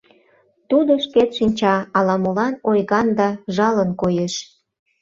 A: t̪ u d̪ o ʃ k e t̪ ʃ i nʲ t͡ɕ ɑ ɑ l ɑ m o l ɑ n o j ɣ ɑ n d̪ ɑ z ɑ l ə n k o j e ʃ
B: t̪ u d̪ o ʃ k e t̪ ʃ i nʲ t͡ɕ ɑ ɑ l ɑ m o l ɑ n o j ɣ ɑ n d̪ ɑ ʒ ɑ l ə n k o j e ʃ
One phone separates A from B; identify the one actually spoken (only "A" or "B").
B